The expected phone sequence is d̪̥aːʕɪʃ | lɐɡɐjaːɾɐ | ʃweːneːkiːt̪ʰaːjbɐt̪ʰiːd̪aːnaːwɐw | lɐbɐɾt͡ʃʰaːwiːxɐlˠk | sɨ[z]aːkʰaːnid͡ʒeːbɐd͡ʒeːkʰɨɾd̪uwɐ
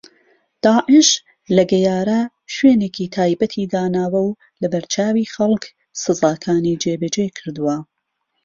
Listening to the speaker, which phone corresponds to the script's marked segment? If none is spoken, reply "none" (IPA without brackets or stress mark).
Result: z